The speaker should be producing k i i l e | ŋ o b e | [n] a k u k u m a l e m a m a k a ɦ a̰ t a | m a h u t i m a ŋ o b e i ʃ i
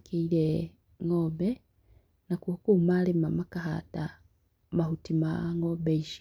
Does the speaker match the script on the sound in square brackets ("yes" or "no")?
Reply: yes